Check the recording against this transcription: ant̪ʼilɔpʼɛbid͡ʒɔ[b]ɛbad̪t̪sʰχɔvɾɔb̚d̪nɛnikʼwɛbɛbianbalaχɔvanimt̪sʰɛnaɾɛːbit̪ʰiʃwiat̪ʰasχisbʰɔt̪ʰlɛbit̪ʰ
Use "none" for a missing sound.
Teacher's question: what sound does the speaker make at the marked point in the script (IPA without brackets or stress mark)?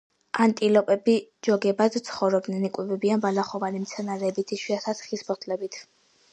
ɡ